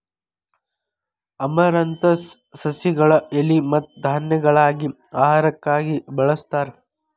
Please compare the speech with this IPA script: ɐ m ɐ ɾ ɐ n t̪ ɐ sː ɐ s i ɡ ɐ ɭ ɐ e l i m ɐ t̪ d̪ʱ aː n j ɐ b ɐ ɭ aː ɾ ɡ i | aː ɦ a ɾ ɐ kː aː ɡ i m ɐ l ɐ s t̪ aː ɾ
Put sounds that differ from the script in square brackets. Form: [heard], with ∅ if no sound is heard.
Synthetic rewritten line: ɐ m ɐ ɾ ɐ n t̪ ɐ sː ɐ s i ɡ ɐ ɭ ɐ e l i m ɐ t̪ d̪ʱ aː n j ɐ [ɡ] ɐ ɭ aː [∅] ɡ i | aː ɦ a ɾ ɐ kː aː ɡ i [b] ɐ [ɭ] ɐ s t̪ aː ɾ

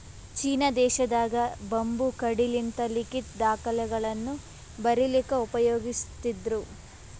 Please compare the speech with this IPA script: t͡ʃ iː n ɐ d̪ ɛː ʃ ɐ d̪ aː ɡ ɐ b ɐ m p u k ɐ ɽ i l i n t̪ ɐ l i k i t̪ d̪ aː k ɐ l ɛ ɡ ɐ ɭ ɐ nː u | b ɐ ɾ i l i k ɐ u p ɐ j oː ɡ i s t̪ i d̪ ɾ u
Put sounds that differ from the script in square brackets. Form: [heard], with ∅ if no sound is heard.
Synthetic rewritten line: t͡ʃ iː n ɐ d̪ ɛː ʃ ɐ d̪ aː ɡ ɐ b ɐ m [b] u k ɐ ɽ i l i n t̪ ɐ l i k i t̪ d̪ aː k ɐ l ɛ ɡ ɐ ɭ ɐ nː u | b ɐ ɾ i l i k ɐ u p ɐ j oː ɡ i s t̪ i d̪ ɾ u

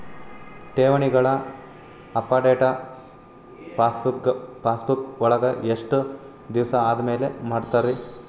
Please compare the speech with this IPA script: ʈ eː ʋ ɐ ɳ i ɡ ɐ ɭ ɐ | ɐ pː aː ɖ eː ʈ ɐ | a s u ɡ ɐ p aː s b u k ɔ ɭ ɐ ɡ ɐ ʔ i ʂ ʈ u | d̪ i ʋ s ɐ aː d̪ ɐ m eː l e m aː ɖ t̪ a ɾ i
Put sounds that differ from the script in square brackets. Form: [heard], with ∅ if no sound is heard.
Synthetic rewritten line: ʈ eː ʋ ɐ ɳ i ɡ ɐ ɭ ɐ | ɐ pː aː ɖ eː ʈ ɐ | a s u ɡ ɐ p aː s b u k ɔ ɭ ɐ ɡ ɐ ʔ [e] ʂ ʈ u | d̪ i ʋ s ɐ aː d̪ ɐ m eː l e m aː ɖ t̪ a ɾ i

